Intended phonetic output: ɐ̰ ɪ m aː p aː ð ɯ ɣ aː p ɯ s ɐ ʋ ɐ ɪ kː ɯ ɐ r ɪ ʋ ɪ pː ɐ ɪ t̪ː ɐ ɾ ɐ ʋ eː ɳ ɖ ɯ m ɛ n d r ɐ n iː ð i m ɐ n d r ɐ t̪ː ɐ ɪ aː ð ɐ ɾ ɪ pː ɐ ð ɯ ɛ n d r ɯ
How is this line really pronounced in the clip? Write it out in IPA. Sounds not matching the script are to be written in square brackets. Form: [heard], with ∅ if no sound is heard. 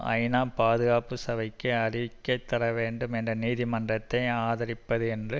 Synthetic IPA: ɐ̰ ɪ [n] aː p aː ð ɯ ɣ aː p ɯ s ɐ ʋ ɐ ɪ kː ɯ ɐ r ɪ ʋ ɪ [kː] ɐ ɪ t̪ː ɐ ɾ ɐ ʋ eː ɳ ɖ ɯ m ɛ n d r ɐ n iː ð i m ɐ n d r ɐ t̪ː ɐ ɪ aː ð ɐ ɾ ɪ pː ɐ ð ɯ ɛ n d r ɯ